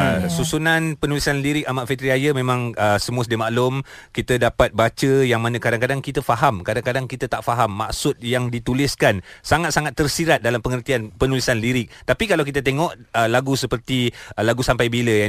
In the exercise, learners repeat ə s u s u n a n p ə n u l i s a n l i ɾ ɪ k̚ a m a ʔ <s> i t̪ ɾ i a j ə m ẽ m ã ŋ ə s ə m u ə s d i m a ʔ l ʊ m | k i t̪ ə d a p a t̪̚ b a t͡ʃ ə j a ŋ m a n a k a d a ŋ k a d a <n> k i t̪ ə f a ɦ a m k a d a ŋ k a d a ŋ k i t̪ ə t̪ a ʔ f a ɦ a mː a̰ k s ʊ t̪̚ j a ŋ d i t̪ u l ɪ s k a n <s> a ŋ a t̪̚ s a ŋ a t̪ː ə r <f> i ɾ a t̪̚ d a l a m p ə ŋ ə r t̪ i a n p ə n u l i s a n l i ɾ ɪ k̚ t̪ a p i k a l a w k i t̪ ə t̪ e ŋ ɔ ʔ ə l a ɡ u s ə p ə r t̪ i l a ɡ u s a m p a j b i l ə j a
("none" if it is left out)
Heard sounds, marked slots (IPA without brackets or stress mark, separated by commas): f, ŋ, s, s